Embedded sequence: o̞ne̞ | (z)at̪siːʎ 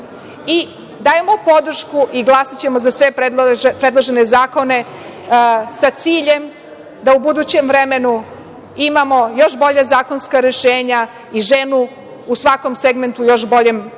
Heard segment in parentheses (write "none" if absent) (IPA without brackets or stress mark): s